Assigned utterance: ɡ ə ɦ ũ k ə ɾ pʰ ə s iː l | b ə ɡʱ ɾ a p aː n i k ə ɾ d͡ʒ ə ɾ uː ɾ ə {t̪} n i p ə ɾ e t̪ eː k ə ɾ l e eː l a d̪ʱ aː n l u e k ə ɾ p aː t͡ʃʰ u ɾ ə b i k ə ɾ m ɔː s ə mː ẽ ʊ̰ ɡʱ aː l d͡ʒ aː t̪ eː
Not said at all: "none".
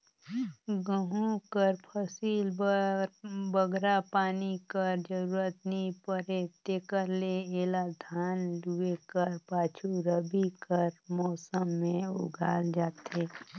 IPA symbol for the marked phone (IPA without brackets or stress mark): t̪